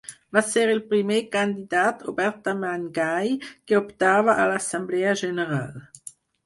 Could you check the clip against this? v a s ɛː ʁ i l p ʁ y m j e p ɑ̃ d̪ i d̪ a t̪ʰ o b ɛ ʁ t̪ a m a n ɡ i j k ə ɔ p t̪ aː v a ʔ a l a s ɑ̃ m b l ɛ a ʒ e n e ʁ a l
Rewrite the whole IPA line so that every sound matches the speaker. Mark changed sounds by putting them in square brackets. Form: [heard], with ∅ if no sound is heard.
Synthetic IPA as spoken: v a s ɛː ʁ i l p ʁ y m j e [k] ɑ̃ d̪ i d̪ a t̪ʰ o b ɛ ʁ t̪ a m a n ɡ [a] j k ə ɔ p t̪ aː v a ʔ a l a s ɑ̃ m b l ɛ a ʒ e n e ʁ a l